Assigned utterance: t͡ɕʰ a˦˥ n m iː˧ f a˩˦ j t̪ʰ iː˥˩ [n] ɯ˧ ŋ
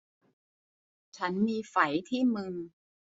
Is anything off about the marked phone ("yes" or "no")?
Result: yes